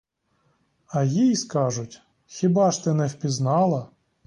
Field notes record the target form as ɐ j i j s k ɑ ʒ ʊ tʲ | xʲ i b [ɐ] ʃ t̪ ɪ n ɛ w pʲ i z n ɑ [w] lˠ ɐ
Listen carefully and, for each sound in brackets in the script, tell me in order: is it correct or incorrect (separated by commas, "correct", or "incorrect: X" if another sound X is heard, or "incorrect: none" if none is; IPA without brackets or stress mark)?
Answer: incorrect: ɑ, incorrect: none